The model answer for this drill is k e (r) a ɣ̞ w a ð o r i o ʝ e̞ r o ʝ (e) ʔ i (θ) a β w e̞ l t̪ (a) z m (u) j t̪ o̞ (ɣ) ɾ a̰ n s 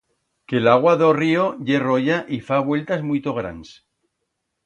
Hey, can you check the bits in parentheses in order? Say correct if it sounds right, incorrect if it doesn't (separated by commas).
incorrect, incorrect, incorrect, correct, correct, correct